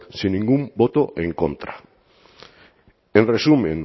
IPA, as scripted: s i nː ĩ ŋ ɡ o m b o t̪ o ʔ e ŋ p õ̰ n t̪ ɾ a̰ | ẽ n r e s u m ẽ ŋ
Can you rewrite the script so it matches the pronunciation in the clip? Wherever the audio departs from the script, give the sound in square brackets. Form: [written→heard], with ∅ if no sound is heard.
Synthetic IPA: s i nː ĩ ŋ ɡ [o→u] m b o t̪ o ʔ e ŋ [p→k] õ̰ n t̪ ɾ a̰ | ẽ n r e s u m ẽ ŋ